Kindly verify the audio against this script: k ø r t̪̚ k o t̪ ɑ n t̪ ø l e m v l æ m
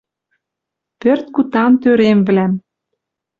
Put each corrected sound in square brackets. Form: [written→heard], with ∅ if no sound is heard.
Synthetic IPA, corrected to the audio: [k→p] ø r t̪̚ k [o→u] t̪ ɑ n t̪ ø [l→ɾ] e m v l æ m